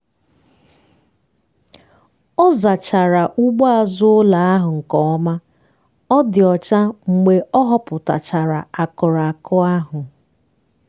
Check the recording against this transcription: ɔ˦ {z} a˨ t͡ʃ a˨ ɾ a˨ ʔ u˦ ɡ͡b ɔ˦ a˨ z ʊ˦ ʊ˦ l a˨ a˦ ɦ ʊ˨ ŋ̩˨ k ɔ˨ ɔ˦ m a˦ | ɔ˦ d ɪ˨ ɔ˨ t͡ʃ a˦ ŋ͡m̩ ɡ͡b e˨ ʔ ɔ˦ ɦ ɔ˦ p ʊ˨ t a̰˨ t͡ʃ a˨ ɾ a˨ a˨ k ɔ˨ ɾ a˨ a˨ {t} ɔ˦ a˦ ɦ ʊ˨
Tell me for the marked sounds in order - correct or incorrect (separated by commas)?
correct, incorrect